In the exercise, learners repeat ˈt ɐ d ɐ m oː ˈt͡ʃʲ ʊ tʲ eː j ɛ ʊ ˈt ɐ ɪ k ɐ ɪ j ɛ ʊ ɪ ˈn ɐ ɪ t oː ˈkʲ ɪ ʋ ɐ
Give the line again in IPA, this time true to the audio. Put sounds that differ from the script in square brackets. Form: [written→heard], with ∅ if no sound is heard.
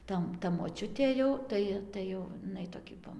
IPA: ˈt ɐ [d→t] ɐ m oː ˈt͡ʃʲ ʊ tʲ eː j ɛ ʊ ˈt ɐ ɪ [k→t] ɐ ɪ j ɛ ʊ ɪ ˈn ɐ ɪ t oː ˈkʲ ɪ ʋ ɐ